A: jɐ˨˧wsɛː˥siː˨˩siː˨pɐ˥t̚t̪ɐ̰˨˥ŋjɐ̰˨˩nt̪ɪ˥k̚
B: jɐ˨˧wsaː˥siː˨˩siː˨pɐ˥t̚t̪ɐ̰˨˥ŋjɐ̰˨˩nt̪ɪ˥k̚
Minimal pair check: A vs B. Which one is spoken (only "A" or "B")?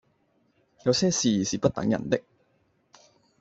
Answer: A